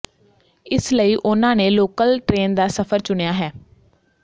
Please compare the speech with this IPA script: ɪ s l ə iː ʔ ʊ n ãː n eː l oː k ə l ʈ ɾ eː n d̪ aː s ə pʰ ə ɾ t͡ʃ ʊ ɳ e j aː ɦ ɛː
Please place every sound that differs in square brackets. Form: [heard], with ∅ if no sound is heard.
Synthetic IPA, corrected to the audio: ɪ s l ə iː ʔ ʊ n ãː n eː l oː k ə l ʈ ɾ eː n d̪ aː s ə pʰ ə ɾ t͡ʃ ʊ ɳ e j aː ɦ ɛː